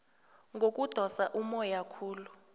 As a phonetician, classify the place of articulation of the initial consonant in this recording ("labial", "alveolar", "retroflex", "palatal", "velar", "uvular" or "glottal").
velar